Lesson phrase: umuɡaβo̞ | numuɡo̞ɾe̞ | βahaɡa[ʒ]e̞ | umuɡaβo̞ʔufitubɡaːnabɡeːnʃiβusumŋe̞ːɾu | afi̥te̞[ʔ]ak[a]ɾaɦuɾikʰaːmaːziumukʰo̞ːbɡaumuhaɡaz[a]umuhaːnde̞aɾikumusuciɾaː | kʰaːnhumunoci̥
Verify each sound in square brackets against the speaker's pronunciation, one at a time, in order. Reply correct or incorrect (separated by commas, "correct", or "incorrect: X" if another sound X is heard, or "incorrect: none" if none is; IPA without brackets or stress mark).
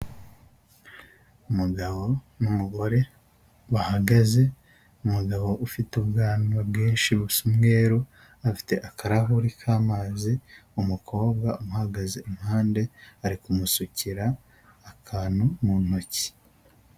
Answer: incorrect: z, correct, correct, incorrect: e